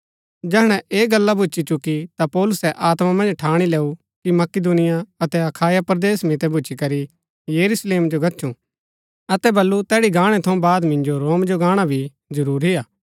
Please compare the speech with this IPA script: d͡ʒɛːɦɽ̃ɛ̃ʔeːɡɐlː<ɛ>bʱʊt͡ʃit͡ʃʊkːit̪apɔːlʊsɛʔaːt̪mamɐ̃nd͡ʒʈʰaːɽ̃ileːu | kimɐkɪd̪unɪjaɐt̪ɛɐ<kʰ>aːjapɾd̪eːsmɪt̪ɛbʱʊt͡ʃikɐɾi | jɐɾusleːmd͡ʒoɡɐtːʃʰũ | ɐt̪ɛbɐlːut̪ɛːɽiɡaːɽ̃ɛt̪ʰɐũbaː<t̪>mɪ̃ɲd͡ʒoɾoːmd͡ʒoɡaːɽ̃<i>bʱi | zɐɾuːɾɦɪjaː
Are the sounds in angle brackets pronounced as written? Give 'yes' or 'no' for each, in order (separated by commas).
no, yes, no, no